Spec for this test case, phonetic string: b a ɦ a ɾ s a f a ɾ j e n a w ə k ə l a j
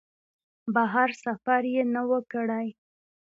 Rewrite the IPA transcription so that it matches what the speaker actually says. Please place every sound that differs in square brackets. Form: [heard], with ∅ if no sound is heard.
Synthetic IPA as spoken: b a ɦ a ɾ s a f a ɾ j e n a w ə k ə [ɽ] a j